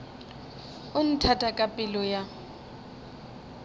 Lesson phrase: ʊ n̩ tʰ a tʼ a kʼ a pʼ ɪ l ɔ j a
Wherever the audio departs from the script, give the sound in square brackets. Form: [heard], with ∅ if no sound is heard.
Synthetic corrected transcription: ʊ n̩ tʰ a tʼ a kʼ a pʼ ɪ l ɔ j a